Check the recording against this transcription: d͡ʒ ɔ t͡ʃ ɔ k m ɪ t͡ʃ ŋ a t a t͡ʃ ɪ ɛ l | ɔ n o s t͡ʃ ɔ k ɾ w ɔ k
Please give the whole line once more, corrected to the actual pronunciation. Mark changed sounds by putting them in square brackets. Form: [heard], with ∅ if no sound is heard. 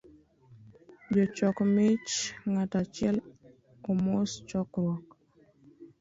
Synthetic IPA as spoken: d͡ʒ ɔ t͡ʃ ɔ k m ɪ t͡ʃ ŋ a t a t͡ʃ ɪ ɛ l | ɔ [m] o s t͡ʃ ɔ k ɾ w ɔ k